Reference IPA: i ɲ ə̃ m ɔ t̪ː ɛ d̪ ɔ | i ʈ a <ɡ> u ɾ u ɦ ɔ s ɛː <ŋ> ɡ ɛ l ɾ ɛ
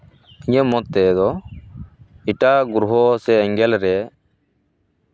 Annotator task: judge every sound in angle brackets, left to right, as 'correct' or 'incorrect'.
correct, correct

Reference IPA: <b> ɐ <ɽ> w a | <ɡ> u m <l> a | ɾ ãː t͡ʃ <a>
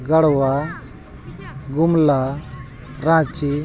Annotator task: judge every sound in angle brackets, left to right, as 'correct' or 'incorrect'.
incorrect, correct, correct, correct, incorrect

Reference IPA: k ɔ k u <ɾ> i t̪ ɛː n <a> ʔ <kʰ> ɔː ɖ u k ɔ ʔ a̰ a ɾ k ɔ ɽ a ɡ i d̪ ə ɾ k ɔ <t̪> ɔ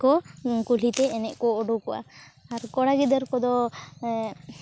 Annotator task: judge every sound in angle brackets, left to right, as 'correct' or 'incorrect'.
incorrect, incorrect, incorrect, incorrect

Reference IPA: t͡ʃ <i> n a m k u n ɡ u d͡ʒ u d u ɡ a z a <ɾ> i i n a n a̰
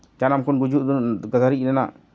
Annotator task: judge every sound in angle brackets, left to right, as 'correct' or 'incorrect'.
incorrect, correct

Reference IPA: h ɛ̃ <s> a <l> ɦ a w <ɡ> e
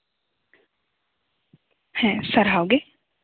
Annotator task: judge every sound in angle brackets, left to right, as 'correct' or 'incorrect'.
correct, incorrect, correct

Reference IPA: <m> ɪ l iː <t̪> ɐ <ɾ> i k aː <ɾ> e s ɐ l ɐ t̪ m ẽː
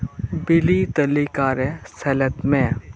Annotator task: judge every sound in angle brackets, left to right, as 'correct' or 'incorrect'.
incorrect, correct, incorrect, correct

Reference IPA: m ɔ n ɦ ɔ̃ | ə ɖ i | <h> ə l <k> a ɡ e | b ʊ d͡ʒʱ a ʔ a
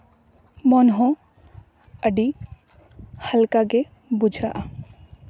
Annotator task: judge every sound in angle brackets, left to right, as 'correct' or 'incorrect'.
correct, correct

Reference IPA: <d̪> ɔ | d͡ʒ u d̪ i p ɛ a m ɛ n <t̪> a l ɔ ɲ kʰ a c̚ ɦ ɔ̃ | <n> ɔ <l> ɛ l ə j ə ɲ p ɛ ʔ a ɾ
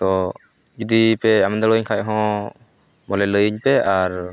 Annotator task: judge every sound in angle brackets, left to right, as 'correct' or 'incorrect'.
incorrect, incorrect, incorrect, correct

